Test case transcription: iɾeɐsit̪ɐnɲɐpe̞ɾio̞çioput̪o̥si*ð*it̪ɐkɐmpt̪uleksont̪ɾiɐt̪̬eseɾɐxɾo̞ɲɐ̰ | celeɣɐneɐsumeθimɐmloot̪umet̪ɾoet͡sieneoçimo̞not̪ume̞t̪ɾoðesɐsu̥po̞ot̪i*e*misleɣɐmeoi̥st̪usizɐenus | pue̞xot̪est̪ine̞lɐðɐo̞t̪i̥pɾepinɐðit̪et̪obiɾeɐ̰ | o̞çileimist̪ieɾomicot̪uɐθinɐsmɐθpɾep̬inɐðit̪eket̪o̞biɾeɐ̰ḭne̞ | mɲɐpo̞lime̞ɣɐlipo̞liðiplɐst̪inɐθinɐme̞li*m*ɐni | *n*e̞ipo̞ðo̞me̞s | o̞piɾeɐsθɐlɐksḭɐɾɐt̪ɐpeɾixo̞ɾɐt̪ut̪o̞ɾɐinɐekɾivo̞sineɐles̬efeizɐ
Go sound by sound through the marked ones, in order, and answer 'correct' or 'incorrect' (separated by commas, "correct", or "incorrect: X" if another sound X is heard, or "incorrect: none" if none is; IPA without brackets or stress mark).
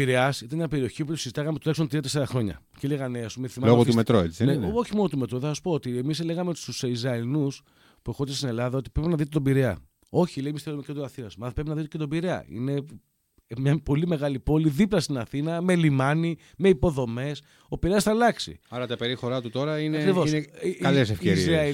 incorrect: z, correct, correct, incorrect: m